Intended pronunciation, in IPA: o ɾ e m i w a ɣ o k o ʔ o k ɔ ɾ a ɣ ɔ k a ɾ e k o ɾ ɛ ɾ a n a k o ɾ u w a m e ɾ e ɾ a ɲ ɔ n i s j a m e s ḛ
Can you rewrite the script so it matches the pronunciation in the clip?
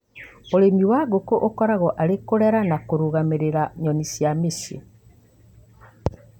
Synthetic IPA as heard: o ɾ e m i w a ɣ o k o ʔ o k ɔ ɾ a ɣ ɔ ʔ a ɾ e k o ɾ ɛ ɾ a n a k o ɾ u ɣ a m e ɾ e ɾ a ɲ ɔ n i s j a m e s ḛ